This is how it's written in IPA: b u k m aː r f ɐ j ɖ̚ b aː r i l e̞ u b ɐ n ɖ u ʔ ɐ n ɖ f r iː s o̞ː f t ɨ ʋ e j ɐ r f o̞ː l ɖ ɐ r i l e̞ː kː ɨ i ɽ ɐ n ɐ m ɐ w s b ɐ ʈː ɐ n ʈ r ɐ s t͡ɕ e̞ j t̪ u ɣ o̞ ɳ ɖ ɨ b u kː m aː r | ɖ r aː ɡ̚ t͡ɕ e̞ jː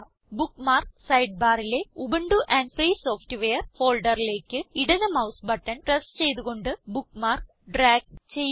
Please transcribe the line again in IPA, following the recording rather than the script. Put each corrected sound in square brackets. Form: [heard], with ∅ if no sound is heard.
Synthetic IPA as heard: b u k m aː r [s] ɐ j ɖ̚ b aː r i l e̞ u b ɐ [ɳ] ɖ u ʔ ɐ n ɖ f r iː s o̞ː f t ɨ ʋ e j ɐ r f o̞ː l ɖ ɐ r i l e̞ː kː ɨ i ɽ ɐ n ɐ m ɐ w s b ɐ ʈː ɐ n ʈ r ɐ s t͡ɕ e̞ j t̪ u ɣ o̞ ɳ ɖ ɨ b u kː m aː r | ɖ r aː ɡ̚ t͡ɕ e̞ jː